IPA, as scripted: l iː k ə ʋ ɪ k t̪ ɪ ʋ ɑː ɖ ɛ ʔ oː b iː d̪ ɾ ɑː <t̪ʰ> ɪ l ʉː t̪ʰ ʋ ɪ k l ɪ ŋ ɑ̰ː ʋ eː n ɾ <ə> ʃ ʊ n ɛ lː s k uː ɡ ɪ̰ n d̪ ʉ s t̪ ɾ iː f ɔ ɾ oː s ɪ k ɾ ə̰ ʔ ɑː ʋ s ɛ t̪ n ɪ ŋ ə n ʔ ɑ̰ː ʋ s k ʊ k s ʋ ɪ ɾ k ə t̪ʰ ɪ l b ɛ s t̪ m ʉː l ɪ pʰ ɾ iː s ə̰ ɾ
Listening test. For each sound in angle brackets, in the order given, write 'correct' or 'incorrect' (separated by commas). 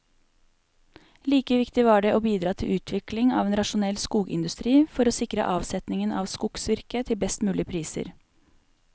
correct, incorrect